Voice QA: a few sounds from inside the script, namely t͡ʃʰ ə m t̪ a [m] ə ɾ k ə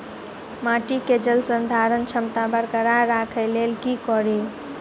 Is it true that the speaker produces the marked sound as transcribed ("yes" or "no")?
no